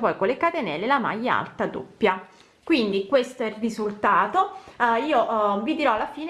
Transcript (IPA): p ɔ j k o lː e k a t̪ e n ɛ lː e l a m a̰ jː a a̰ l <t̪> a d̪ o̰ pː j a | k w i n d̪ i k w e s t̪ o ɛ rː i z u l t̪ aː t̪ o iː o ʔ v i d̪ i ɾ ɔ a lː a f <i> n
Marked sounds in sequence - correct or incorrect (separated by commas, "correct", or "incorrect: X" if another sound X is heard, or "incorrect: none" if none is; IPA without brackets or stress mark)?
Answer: correct, incorrect: iː